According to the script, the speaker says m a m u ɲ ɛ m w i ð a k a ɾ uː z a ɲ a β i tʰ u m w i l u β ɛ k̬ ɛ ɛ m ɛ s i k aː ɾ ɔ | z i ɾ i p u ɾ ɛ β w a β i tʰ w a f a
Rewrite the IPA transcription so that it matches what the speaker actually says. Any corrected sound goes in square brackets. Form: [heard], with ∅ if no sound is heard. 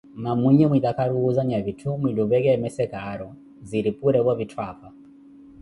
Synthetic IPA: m a m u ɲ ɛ m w i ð a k a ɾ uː z a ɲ a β i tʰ u m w i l u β ɛ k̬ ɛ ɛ m ɛ s [ɛ] k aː ɾ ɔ | z i ɾ i p u ɾ ɛ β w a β i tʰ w a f a